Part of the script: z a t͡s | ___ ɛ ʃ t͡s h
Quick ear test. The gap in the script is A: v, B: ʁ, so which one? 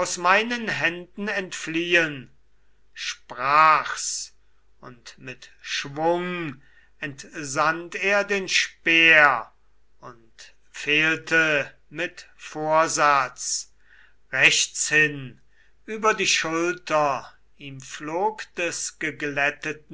B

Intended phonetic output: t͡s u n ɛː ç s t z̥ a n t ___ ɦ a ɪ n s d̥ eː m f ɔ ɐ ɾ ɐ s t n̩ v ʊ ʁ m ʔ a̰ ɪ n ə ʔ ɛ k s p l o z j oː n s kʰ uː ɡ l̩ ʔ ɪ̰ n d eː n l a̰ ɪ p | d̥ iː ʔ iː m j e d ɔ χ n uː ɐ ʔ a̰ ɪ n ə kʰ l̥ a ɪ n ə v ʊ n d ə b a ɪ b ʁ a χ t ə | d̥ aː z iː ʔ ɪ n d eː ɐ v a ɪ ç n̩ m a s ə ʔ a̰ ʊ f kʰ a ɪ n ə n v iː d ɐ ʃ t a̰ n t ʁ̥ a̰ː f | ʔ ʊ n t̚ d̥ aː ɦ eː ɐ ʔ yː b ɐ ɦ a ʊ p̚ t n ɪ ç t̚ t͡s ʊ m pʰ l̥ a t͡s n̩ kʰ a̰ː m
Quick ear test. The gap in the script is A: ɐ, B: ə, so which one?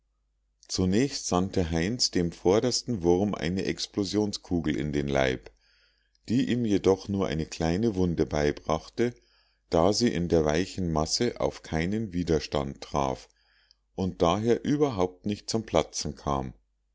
B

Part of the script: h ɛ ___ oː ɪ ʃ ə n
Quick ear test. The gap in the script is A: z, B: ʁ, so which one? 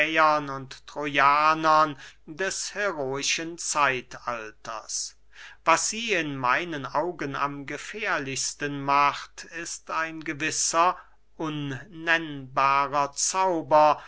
B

